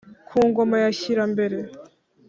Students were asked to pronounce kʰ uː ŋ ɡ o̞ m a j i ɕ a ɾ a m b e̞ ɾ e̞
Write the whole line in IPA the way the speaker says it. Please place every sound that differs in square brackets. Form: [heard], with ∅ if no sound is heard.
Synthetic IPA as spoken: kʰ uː ŋ ɡ o̞ m a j [a] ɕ [i] ɾ a m b e̞ ɾ e̞